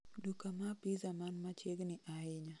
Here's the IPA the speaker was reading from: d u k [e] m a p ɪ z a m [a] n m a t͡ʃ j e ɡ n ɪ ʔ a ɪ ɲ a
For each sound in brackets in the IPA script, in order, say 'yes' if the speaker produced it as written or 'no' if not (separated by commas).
no, yes